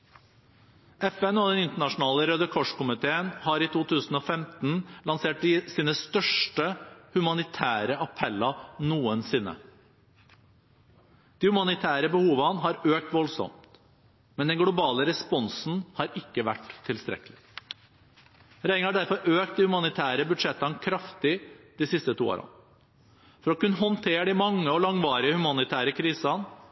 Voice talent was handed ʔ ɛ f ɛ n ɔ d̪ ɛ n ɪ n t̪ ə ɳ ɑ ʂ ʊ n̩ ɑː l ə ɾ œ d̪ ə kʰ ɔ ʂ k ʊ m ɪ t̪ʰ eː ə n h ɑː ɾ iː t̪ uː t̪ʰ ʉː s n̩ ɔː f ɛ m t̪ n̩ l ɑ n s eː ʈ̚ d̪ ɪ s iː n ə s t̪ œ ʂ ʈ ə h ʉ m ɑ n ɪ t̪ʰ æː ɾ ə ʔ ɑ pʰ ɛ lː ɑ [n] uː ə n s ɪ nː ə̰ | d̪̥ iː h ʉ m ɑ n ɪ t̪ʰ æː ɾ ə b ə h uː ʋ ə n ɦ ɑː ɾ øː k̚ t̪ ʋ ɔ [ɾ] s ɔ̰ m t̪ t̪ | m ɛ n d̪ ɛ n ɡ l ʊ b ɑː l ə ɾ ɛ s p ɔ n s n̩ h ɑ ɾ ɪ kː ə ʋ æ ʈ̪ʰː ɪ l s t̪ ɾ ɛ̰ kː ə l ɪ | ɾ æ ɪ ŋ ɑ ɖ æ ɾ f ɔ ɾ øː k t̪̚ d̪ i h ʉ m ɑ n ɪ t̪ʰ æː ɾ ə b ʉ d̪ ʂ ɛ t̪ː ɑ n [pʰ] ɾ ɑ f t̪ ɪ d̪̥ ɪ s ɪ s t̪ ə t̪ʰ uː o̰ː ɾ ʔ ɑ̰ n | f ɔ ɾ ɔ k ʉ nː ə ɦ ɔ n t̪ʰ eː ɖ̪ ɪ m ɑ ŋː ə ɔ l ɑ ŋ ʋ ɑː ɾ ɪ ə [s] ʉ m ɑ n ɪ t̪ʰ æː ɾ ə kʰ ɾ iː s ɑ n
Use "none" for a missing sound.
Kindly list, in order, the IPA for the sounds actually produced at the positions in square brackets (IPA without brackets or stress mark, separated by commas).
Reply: n, l, kʰ, h